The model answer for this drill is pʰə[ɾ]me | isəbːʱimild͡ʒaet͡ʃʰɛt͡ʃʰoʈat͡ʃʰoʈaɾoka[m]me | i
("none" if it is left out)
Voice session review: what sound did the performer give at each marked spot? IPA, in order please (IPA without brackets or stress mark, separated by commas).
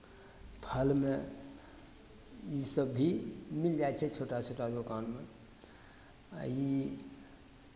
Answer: l, n